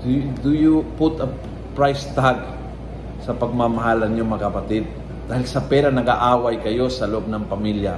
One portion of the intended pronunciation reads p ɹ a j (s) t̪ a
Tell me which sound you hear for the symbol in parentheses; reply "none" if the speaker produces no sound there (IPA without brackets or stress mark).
s